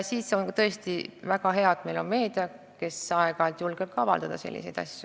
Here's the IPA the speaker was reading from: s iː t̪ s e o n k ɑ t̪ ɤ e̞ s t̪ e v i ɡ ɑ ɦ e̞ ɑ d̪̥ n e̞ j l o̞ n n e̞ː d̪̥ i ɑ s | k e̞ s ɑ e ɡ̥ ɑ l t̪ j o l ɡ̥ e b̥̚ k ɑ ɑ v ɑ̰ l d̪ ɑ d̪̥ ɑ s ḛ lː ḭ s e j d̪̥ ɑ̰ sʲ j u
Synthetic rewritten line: s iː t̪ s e o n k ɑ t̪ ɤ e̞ s t̪ i v æ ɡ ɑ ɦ e̞ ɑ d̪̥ m e̞ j l o̞ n m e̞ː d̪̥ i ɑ | k e̞ s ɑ e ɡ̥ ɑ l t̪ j u l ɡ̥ e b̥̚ k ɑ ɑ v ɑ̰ l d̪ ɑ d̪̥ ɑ s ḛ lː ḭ s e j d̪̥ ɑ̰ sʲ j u